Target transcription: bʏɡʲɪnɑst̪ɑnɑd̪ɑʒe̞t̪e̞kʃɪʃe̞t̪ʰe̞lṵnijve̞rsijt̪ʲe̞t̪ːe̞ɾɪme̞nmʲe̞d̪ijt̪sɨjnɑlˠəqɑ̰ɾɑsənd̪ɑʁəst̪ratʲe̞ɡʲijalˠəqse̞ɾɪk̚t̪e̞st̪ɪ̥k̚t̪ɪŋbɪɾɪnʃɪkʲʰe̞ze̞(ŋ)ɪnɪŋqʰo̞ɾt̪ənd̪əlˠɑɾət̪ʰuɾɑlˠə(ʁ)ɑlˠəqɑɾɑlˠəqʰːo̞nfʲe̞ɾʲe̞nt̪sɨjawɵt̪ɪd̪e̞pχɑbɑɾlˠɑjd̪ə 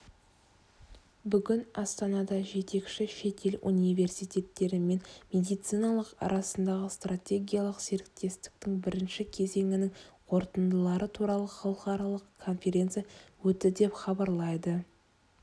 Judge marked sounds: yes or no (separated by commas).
yes, no